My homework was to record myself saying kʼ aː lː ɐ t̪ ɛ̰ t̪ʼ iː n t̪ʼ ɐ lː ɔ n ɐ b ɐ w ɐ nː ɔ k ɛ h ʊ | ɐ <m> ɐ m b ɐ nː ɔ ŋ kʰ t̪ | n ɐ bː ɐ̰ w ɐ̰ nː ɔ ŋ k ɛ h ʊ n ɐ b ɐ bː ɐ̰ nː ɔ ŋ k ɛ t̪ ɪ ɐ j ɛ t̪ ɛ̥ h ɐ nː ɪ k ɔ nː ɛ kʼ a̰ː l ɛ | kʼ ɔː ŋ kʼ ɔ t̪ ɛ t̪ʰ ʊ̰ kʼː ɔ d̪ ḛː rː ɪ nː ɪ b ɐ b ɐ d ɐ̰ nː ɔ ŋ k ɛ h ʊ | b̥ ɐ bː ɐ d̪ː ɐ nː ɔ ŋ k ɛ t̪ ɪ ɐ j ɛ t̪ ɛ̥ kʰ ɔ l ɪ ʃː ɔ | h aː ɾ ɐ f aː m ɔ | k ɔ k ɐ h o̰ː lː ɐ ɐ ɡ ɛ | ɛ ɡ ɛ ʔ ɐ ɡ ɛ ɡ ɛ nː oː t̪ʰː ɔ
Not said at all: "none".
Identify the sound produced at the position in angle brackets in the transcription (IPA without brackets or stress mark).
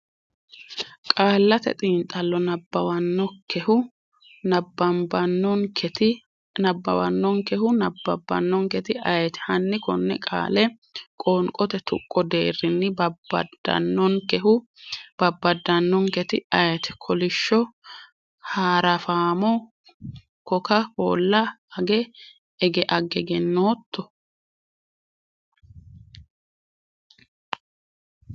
b